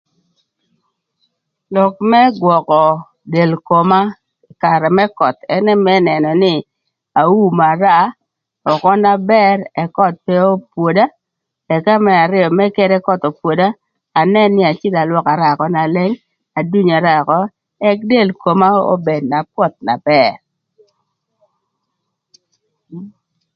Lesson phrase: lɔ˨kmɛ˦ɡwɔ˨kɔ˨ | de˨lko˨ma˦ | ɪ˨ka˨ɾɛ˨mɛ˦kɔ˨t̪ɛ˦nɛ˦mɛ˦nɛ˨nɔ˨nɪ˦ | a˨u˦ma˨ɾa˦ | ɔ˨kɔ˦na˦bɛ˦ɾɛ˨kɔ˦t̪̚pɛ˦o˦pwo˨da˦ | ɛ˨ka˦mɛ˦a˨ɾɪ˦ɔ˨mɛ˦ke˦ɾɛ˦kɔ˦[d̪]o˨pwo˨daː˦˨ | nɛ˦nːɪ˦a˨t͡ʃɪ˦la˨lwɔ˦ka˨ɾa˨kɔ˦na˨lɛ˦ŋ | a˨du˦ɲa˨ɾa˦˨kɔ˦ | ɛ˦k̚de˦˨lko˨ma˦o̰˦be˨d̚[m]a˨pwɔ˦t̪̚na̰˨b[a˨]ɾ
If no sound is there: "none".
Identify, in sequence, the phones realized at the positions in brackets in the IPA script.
t̪, n, ɛ˨

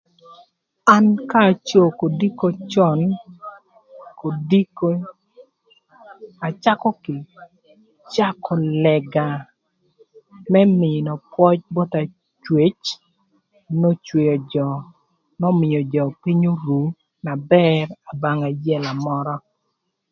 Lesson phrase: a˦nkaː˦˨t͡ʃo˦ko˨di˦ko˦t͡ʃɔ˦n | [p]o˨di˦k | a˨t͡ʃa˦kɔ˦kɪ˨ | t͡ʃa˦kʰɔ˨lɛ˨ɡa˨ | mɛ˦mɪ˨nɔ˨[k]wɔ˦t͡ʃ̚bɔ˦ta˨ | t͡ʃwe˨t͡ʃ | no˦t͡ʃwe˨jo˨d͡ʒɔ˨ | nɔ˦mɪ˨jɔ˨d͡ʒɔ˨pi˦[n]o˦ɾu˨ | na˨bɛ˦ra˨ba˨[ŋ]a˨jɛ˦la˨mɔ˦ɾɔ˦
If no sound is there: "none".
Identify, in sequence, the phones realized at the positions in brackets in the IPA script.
k, p, ɲ, ŋ

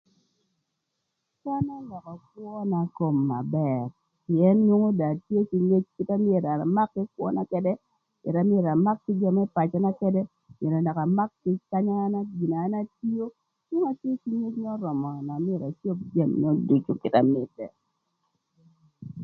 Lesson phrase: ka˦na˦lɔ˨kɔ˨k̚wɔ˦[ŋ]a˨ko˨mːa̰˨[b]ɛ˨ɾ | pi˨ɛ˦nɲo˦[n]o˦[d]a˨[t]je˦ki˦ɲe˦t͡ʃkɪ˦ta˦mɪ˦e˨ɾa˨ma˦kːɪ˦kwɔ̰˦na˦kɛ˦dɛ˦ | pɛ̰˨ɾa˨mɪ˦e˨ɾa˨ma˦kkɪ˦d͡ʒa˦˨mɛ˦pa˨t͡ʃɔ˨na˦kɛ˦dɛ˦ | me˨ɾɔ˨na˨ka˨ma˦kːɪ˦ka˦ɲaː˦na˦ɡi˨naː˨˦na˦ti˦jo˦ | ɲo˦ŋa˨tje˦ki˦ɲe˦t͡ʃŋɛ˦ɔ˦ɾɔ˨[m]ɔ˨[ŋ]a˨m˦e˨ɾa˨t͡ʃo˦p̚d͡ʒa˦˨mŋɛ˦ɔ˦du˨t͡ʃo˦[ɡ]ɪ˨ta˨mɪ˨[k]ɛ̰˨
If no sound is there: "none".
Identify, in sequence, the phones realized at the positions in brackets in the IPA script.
n, b, ŋ, d, t, m, n, k, t

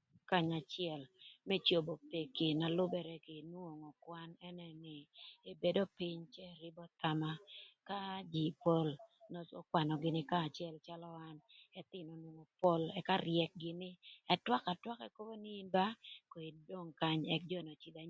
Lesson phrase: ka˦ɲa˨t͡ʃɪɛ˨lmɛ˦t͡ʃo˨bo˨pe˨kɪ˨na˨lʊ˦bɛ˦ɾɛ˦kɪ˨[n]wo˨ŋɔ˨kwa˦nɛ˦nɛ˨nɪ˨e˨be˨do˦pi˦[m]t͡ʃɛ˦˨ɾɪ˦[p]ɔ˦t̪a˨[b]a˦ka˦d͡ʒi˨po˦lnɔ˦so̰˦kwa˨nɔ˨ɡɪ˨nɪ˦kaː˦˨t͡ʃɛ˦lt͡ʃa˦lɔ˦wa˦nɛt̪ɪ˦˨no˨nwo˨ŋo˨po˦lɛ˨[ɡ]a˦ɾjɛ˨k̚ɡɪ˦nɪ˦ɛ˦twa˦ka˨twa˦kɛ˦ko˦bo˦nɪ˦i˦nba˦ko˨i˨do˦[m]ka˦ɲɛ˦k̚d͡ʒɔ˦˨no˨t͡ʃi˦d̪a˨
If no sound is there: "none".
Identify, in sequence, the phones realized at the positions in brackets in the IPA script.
n, ɲ, b, m, k, ŋ

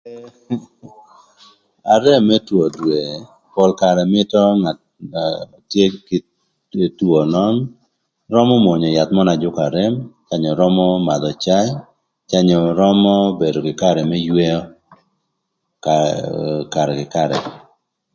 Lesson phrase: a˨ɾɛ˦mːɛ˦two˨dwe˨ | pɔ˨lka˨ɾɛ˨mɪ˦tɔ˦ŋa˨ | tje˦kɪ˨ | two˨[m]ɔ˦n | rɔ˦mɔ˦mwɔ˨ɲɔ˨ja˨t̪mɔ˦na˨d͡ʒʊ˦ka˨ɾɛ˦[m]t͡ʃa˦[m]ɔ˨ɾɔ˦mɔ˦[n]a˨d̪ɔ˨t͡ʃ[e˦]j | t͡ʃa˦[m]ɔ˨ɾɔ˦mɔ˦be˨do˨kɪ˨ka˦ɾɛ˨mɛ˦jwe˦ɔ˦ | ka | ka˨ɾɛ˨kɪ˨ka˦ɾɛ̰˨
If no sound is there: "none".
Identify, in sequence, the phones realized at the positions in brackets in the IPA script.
n, m, ɲ, m, a˦, ɲ

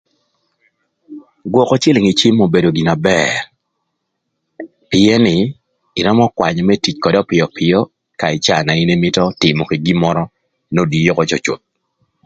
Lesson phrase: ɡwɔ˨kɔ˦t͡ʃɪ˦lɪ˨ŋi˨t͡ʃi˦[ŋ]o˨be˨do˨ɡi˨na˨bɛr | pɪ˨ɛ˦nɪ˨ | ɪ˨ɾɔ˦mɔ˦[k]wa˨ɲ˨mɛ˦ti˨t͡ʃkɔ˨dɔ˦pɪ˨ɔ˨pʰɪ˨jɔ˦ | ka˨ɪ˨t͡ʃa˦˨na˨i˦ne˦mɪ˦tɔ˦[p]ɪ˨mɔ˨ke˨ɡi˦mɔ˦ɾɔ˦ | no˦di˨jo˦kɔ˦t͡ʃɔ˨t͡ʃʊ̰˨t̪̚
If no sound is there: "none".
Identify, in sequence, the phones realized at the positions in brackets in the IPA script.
m, k, t

